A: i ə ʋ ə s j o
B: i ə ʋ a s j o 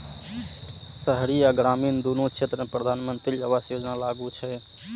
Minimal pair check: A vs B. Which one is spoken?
B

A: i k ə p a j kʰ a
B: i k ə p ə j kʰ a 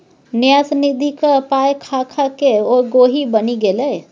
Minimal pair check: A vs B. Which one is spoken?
A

